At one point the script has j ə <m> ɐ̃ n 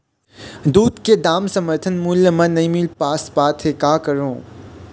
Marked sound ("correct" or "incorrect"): correct